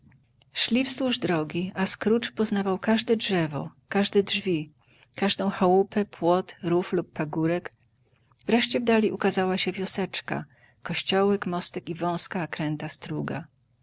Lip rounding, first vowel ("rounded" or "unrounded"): unrounded